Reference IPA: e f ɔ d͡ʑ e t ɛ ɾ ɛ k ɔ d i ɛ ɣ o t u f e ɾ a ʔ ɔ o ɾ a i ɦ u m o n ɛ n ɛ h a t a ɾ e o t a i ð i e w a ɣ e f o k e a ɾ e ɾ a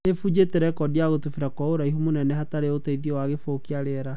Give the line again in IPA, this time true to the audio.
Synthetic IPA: e f u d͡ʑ e t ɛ ɾ ɛ k ɔ d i a ɣ o t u f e ɾ a k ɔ o ɾ a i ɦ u m o n ɛ n ɛ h a t a ɾ e o t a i ð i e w a ɣ e f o k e a ɾ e ɾ a